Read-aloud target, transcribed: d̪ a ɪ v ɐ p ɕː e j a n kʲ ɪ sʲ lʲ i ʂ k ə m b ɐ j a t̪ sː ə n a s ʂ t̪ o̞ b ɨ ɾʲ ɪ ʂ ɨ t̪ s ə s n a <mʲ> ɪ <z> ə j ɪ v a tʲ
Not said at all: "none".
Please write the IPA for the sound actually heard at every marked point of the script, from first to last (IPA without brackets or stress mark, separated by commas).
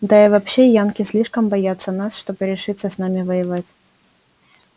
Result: mʲ, v